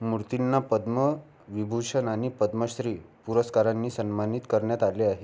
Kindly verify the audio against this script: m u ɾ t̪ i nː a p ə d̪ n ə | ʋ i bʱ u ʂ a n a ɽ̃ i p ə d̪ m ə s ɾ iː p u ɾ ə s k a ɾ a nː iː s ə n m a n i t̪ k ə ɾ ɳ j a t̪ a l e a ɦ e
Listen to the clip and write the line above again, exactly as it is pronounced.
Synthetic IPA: m u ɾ t̪ i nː a p ə d̪ m ə | ʋ i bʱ u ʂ ə n a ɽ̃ i p ə d̪ m ə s ɾ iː p u ɾ ə s k a ɾ a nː iː s ə n m a n i t̪ k ə ɾ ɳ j a t̪ a l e a ɦ e